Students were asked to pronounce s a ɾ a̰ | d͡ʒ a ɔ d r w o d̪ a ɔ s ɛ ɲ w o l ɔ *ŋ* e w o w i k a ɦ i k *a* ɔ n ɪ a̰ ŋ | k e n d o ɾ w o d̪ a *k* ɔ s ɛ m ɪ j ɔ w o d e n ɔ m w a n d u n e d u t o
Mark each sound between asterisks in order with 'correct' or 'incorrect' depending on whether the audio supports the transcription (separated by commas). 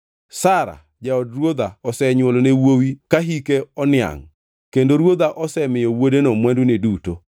incorrect, incorrect, incorrect